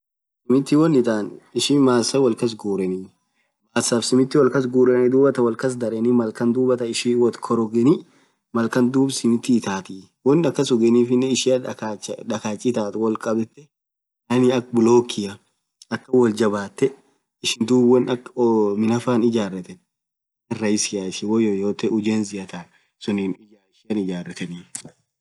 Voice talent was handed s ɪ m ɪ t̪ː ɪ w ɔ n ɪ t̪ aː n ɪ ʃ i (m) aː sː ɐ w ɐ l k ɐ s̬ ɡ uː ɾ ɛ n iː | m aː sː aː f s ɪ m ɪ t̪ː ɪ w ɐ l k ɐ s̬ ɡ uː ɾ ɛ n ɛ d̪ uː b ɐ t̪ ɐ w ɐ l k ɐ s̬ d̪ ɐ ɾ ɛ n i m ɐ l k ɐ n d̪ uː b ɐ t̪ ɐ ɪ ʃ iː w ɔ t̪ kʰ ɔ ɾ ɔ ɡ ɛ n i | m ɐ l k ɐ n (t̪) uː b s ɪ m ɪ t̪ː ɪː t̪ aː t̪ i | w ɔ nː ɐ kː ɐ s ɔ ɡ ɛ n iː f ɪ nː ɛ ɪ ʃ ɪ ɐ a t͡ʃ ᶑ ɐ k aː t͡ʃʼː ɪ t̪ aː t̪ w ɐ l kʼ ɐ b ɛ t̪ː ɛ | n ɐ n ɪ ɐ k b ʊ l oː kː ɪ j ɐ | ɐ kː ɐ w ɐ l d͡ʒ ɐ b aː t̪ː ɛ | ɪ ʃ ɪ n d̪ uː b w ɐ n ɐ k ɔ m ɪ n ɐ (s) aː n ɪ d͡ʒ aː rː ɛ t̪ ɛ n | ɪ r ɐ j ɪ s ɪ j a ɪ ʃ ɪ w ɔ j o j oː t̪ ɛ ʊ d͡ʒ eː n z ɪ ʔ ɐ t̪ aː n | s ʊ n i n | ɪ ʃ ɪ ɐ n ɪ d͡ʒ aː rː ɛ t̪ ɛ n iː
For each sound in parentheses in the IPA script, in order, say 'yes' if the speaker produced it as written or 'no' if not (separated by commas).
yes, no, no